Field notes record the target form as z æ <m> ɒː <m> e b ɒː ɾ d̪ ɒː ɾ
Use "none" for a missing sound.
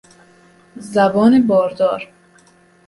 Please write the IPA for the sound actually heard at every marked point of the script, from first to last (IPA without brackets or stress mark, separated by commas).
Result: b, n